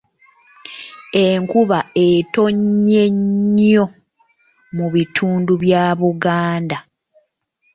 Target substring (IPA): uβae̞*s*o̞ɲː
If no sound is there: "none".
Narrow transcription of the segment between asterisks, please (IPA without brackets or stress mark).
t